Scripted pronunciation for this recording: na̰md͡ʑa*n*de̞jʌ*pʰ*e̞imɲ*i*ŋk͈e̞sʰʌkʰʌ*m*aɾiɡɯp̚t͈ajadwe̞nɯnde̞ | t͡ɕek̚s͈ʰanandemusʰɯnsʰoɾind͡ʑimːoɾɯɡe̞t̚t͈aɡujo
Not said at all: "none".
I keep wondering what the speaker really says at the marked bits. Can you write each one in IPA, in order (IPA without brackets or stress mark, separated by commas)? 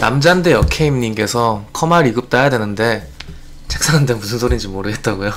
n, kʰ, i, m